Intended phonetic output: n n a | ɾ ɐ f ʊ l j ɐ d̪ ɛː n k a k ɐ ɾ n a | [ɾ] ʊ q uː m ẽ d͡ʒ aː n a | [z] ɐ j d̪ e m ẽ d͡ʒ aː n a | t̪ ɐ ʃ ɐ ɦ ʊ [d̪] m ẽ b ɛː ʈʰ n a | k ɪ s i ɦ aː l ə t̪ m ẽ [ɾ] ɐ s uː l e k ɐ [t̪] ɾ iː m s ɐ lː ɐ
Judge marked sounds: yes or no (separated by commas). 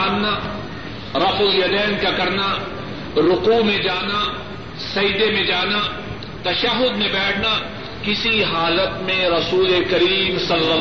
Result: yes, no, yes, yes, no